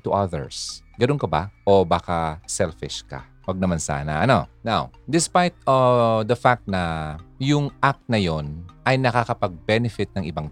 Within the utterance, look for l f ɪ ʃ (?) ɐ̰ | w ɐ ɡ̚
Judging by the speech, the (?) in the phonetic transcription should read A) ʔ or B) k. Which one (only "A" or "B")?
B